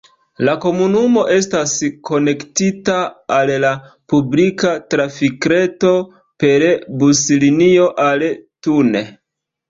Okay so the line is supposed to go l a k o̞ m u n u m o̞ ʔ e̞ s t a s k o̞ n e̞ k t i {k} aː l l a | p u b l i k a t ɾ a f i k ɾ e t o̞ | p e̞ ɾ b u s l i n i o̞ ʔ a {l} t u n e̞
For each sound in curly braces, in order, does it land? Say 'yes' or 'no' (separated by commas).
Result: no, yes